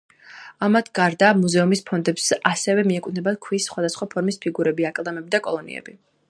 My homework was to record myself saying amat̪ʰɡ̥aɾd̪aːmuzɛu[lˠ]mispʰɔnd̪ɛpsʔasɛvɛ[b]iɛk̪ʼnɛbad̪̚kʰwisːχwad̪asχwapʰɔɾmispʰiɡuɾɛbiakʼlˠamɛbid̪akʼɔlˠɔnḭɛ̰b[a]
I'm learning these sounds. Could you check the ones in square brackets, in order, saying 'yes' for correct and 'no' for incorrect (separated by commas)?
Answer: no, no, no